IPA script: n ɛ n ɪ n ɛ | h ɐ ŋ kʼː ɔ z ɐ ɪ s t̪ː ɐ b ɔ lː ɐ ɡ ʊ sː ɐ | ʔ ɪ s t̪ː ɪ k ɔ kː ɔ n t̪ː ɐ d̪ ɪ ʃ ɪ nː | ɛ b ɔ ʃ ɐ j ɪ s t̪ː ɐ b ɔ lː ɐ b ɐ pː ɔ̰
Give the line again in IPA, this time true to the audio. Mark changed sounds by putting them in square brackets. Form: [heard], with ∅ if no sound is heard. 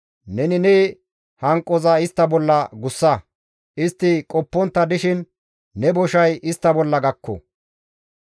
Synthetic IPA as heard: n ɛ n ɪ n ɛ | h ɐ ŋ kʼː ɔ z ɐ ɪ s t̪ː ɐ b ɔ lː ɐ ɡ ʊ sː ɐ | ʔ ɪ s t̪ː ɪ [kʼ] ɔ [pː] ɔ n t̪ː ɐ d̪ ɪ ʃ ɪ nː | ɛ b ɔ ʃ ɐ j ɪ s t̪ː ɐ b ɔ lː ɐ [ɡ] ɐ [kː] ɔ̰